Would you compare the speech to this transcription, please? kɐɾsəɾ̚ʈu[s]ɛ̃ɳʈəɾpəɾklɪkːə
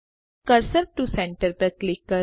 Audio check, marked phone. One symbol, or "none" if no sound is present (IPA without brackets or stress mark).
s